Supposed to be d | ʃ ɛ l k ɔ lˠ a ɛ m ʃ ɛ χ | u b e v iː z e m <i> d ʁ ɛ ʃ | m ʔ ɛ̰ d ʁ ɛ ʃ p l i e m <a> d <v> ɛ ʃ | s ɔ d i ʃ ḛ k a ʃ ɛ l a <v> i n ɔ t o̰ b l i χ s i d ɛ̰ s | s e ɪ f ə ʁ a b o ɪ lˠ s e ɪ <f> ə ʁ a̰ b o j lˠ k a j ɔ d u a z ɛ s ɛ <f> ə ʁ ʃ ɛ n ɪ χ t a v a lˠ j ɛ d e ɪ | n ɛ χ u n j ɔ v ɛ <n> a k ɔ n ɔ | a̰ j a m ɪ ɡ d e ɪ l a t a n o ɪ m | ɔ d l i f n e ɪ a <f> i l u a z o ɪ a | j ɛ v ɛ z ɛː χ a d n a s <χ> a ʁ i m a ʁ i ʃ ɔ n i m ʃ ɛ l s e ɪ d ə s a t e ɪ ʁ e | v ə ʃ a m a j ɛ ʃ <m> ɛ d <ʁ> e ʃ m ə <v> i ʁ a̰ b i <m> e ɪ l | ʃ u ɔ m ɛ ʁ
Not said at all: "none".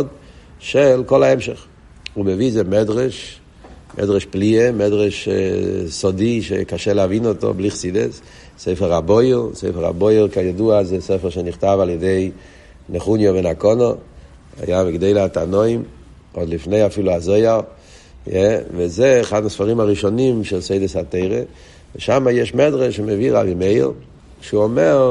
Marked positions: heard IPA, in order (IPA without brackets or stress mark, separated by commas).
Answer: ɛ, ɛ, ʁ, v, f, f, n, f, f, m, ʁ, v, m